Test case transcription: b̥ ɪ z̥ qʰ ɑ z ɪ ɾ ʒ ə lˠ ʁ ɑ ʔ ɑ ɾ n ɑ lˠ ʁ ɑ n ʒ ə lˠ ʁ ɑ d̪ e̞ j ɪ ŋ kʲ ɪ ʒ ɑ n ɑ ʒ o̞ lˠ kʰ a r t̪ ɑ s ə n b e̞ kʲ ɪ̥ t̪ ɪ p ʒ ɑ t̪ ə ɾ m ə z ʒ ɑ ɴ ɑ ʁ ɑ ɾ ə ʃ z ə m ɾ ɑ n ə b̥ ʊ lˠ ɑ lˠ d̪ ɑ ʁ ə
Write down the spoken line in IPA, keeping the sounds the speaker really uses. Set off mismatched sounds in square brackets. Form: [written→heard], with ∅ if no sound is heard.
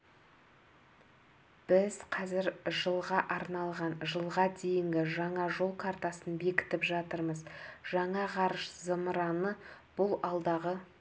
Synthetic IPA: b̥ ɪ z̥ qʰ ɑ z ɪ ɾ ʒ ə lˠ ʁ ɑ ʔ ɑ ɾ n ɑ lˠ ʁ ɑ n ʒ ə lˠ ʁ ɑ d̪ e̞ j ɪ ŋ [kʲ→ɡʲ] ɪ ʒ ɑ [n→ɴ] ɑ ʒ o̞ lˠ kʰ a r t̪ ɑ s ə n b e̞ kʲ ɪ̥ t̪ ɪ p ʒ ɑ t̪ ə ɾ m ə z ʒ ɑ ɴ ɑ ʁ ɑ ɾ ə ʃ z ə m ɾ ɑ n ə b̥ ʊ lˠ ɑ lˠ d̪ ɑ ʁ ə